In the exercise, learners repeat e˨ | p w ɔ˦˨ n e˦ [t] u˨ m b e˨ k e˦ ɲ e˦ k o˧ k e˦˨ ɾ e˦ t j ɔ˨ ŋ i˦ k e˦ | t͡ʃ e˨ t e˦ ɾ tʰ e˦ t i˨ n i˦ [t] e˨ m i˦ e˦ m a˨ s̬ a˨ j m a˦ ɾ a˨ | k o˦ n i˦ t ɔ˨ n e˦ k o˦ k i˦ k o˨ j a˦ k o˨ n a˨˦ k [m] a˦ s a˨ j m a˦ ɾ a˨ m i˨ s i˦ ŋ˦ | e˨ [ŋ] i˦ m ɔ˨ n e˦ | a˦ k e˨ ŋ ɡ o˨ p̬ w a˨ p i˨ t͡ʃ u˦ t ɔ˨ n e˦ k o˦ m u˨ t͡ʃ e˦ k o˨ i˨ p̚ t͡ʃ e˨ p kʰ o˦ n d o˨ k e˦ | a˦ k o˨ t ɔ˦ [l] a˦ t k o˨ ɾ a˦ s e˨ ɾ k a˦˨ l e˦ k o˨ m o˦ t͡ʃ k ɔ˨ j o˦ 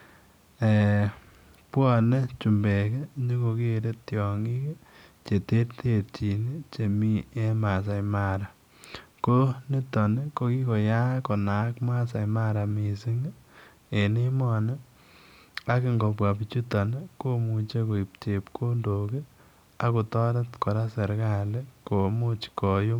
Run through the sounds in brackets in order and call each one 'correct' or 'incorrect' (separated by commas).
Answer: incorrect, incorrect, correct, incorrect, incorrect